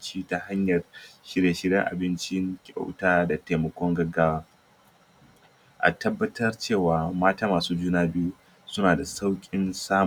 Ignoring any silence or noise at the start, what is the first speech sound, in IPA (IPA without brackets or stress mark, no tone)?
t͡ʃ